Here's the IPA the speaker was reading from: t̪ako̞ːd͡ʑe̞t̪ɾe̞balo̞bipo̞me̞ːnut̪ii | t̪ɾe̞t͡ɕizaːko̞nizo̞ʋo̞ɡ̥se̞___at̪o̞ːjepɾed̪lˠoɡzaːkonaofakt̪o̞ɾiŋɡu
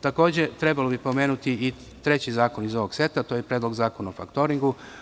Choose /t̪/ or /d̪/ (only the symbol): t̪